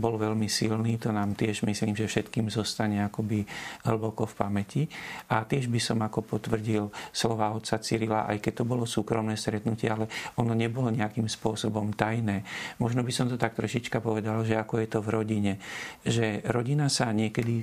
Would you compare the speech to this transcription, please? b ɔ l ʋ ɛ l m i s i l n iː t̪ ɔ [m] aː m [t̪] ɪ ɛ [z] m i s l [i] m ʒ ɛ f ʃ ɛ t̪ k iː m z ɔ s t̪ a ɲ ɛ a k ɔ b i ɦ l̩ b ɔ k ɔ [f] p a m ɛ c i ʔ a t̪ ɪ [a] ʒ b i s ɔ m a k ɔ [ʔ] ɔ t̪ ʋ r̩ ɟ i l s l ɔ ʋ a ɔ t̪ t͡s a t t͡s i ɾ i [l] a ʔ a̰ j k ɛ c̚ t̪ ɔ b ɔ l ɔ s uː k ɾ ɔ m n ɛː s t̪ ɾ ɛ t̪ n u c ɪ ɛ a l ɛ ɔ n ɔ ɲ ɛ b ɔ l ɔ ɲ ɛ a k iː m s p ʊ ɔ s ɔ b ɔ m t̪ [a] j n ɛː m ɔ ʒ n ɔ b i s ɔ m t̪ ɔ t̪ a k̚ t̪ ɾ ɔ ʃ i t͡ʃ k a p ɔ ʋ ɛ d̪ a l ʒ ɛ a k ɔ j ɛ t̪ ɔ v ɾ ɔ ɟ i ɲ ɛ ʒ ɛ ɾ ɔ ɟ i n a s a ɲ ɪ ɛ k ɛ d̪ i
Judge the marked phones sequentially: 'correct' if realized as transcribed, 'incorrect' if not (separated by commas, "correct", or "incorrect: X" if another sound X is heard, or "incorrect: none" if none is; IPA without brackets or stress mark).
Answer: incorrect: n, correct, incorrect: ʒ, incorrect: iː, correct, incorrect: ɛ, incorrect: p, correct, correct